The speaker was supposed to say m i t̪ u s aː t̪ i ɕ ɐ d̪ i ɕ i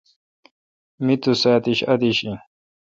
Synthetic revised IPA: m i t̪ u s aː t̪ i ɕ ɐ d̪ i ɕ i